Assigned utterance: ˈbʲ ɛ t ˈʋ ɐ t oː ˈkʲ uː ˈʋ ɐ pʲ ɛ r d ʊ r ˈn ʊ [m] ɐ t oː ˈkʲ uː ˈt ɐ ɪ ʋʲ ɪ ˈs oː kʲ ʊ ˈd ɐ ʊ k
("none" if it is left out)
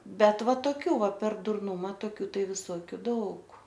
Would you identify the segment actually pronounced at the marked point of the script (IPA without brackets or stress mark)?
m